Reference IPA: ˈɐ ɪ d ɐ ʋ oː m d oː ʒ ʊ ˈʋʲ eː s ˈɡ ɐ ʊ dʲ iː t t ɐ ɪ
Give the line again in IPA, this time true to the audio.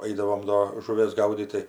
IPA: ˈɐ ɪ d ɐ ʋ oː m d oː ʒ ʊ ˈʋʲ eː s ˈɡ ɐ ʊ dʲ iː t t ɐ ɪ